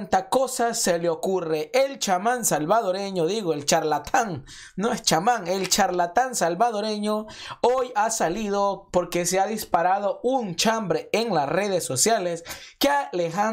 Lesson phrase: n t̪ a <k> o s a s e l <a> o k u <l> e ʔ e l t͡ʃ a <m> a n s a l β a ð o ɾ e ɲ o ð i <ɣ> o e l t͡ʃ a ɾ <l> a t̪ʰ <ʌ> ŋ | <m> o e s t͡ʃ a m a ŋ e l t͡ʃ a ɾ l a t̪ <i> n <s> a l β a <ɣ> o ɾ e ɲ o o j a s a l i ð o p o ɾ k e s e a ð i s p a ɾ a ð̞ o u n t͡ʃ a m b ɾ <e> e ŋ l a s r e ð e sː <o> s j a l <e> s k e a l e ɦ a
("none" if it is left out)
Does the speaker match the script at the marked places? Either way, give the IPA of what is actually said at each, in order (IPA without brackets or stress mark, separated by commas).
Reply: k, e, r, m, ɣ, l, a, n, a, s, ð, e, o, e